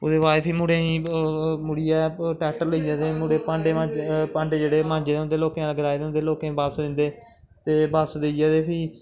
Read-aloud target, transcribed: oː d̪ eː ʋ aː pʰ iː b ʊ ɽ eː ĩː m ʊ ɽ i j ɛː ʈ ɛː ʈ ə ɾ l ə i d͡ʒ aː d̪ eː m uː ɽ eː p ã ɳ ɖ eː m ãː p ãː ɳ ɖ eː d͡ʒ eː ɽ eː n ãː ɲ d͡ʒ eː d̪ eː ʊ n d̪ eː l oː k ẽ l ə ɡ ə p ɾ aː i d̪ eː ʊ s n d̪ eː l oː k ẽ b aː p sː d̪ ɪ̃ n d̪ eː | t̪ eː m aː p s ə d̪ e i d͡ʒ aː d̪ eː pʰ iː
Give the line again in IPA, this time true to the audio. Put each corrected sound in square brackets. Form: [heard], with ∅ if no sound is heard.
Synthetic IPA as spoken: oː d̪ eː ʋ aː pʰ iː [m] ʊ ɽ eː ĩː m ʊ ɽ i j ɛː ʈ ɛː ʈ ə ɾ l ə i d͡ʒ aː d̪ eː m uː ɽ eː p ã ɳ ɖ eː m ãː p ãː ɳ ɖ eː d͡ʒ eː ɽ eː [m] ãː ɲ d͡ʒ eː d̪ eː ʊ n d̪ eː l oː k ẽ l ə ɡ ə [∅] ɾ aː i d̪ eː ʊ [∅] n d̪ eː l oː k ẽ b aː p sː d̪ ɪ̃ n d̪ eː | t̪ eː [b] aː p s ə d̪ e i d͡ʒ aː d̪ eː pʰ iː